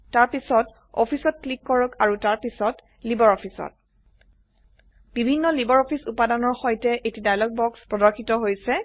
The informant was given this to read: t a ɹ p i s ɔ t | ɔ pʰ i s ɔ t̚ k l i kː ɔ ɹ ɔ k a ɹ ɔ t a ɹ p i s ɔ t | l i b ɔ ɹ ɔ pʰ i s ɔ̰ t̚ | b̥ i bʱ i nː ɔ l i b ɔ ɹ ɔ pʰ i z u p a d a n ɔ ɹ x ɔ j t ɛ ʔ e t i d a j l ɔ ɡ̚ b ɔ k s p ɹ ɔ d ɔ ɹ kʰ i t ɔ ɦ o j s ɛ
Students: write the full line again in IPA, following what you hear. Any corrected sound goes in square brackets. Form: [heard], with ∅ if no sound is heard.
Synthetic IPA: t a ɹ p i s ɔ t | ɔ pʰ i s ɔ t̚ k l i kː ɔ ɹ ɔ k a ɹ [u] t a ɹ p i s ɔ t | l i b ɔ ɹ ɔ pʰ i s ɔ̰ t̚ | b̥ i bʱ i nː ɔ l i b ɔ ɹ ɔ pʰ i [s] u p a d a n ɔ ɹ x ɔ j t ɛ ʔ e t i d a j l ɔ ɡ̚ b ɔ k s p ɹ ɔ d ɔ ɹ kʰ i t ɔ ɦ o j s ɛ